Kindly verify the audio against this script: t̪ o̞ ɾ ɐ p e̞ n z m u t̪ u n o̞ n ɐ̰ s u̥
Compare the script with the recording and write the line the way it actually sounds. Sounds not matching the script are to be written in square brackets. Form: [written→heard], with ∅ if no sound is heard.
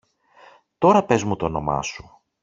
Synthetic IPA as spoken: t̪ o̞ ɾ ɐ p e̞ [n→∅] z m u t̪ [u→o] n o̞ [n→m] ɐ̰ s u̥